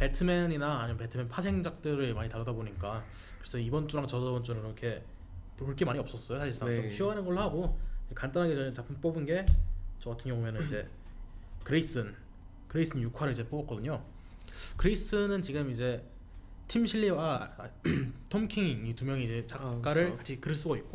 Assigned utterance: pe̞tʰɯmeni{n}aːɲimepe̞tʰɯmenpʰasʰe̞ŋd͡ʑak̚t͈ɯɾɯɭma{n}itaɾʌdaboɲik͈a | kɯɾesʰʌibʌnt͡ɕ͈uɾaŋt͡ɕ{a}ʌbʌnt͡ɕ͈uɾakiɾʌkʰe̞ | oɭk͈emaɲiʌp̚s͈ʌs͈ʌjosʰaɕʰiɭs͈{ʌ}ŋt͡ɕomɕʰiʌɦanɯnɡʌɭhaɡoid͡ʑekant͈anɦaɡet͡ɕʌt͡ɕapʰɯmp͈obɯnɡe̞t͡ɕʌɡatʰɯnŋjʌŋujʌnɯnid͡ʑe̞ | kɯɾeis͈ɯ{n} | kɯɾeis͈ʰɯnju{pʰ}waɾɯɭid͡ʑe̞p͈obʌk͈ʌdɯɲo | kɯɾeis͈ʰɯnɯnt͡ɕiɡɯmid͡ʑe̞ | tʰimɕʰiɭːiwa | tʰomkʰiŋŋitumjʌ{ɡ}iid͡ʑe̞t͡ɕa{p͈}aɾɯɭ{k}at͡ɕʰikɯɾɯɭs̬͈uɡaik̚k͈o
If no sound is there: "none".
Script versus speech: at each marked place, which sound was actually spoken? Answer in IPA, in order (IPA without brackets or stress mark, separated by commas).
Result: n, ɲ, ʌ, a, n, kʰ, ŋ, k͈, k